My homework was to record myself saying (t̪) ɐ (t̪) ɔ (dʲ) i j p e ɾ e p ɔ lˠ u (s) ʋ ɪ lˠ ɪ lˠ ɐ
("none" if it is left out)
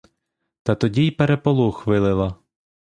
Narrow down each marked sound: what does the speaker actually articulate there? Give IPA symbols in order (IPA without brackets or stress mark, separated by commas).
t̪, t̪, dʲ, x